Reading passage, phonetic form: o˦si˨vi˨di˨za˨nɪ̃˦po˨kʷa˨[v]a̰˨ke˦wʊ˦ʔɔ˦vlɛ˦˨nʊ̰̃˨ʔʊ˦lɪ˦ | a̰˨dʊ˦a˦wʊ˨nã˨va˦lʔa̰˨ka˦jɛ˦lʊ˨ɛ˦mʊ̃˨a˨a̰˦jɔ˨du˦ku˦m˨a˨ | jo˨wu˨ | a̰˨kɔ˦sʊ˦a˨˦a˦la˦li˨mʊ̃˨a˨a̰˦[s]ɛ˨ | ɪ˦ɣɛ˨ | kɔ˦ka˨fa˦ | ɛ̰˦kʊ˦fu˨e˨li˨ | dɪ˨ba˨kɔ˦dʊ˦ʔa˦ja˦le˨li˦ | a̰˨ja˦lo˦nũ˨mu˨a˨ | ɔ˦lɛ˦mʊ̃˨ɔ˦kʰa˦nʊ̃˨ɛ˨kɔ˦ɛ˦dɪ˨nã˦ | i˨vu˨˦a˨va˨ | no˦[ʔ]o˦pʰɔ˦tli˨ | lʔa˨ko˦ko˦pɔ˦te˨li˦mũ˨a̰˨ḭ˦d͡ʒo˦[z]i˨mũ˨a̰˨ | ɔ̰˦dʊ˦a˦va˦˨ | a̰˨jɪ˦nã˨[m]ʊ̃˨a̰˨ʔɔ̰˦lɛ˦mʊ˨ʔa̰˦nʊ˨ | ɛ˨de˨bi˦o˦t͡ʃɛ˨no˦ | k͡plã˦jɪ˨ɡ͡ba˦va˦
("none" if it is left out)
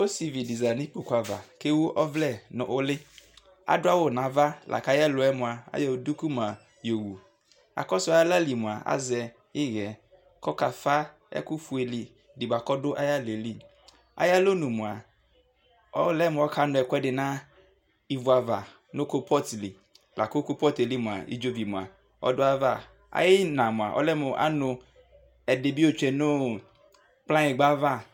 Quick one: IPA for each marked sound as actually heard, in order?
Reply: v, z, k, v, m

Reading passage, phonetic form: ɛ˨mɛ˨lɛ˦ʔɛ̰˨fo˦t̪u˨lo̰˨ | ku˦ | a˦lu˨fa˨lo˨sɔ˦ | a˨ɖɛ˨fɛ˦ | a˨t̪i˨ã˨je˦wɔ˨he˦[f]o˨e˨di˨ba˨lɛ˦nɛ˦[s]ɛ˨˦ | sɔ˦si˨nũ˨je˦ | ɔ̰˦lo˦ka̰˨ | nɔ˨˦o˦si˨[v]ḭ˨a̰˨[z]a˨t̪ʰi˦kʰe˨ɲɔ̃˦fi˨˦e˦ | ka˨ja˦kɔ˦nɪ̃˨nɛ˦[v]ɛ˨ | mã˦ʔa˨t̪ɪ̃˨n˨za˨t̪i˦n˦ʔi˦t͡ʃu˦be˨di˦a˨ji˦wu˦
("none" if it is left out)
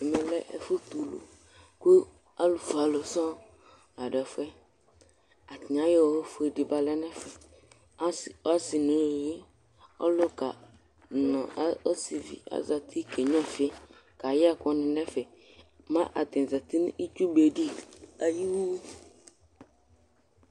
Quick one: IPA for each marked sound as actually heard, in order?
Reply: f, f, v, z, f

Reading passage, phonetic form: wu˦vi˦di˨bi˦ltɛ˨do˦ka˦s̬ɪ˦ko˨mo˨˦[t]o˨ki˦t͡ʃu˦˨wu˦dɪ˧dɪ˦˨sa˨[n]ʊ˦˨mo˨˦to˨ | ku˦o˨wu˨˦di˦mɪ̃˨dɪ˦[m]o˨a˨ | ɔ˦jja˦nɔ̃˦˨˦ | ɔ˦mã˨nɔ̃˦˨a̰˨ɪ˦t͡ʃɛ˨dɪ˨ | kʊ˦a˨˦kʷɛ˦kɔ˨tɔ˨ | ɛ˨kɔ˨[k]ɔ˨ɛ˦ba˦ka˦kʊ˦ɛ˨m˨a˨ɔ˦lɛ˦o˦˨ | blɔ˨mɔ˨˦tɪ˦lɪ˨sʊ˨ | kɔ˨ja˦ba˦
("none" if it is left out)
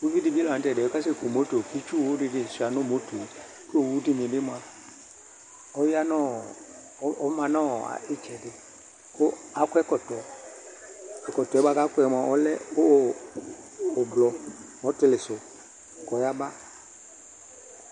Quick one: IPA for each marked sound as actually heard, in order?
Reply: t, n, m, t

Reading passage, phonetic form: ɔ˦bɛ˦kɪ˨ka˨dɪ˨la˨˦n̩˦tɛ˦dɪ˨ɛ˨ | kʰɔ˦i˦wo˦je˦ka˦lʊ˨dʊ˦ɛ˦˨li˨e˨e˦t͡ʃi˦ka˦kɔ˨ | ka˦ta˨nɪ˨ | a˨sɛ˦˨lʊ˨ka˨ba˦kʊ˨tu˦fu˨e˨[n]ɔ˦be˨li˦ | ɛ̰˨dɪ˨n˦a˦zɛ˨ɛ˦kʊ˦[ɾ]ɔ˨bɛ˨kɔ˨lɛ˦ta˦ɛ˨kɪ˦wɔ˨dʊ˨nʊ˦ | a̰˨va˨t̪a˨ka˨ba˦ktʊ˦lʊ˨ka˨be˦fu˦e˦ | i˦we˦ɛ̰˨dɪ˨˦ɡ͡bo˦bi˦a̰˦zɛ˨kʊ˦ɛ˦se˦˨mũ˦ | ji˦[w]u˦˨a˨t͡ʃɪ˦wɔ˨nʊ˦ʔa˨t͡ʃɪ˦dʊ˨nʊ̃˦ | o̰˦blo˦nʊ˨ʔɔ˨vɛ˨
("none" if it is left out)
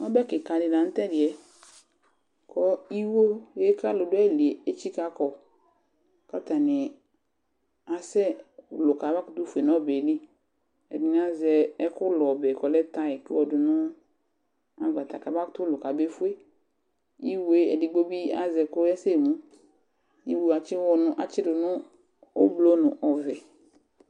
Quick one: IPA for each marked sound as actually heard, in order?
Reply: n, l, w

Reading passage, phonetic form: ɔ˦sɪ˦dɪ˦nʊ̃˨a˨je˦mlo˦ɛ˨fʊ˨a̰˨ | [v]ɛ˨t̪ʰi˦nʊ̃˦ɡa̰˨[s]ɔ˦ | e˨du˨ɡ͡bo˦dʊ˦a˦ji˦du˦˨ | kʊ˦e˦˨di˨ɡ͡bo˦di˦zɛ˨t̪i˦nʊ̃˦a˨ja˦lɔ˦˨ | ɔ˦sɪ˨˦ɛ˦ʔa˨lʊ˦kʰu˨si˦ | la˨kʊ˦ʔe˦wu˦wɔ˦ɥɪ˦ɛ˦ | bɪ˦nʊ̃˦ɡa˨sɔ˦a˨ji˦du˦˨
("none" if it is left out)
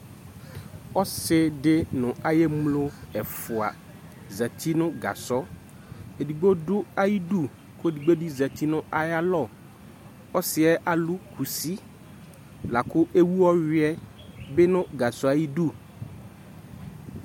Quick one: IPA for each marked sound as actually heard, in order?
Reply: z, s

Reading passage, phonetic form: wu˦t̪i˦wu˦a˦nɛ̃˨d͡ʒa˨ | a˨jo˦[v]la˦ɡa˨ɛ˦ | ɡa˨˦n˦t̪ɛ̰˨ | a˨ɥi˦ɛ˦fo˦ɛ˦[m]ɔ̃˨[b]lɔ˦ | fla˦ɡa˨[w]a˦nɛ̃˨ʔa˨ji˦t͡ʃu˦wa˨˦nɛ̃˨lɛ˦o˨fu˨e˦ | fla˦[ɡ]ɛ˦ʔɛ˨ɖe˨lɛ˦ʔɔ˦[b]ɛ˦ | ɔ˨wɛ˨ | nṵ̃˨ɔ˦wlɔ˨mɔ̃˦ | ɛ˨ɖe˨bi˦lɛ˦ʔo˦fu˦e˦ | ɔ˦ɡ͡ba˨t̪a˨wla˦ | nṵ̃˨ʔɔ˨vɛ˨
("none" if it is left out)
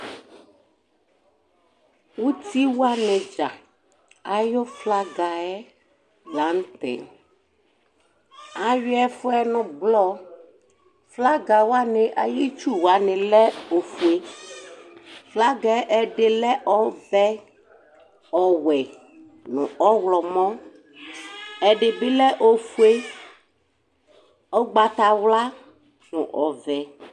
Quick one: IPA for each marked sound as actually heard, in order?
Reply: f, n, b, w, ɡ, v

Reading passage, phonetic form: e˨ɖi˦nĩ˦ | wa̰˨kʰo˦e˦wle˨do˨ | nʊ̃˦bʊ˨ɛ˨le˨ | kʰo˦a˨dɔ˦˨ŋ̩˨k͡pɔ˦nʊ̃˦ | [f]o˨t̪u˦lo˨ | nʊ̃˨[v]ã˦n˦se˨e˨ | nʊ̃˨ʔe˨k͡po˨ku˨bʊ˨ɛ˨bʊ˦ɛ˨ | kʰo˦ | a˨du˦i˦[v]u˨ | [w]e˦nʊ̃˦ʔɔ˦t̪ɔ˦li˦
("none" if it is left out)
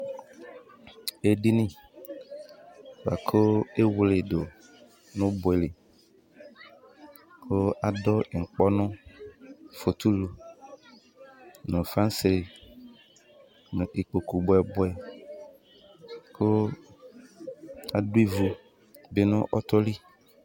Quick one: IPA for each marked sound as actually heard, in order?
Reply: f, f, v, b

